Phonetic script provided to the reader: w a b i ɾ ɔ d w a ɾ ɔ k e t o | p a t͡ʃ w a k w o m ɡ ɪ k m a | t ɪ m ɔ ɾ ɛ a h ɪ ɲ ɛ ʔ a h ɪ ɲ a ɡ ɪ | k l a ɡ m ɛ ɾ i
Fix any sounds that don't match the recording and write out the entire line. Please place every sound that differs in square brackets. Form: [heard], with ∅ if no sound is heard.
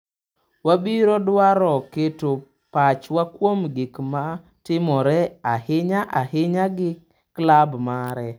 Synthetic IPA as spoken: w a b i ɾ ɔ d w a ɾ ɔ k e t o | p a t͡ʃ w a k w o m ɡ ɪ k m a | t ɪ m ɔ ɾ ɛ a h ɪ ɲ [a] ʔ a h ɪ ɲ a ɡ ɪ | k l a [b] m [a] ɾ [ɛ]